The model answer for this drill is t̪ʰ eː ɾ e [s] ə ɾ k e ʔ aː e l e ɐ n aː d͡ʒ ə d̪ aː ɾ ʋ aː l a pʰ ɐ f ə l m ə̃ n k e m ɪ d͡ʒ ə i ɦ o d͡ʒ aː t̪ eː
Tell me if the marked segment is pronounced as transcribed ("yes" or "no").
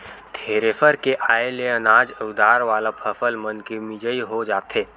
no